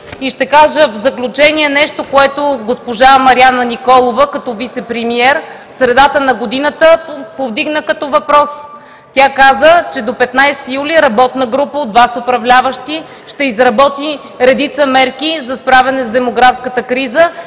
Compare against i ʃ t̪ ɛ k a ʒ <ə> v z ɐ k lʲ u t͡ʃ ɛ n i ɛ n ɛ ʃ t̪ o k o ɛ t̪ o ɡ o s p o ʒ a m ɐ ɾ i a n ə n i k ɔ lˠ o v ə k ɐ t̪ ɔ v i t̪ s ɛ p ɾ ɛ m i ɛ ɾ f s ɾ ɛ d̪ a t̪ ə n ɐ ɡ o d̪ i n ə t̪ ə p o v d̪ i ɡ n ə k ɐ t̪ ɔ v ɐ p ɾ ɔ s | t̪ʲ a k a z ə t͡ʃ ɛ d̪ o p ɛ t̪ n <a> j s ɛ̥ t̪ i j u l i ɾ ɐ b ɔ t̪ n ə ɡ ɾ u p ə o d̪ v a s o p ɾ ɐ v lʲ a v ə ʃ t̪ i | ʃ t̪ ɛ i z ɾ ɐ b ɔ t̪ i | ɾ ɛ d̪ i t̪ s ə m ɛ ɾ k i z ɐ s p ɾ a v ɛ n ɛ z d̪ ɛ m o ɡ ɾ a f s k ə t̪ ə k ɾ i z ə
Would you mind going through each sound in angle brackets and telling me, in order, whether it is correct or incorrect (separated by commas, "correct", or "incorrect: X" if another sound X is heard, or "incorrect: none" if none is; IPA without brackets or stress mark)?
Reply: correct, correct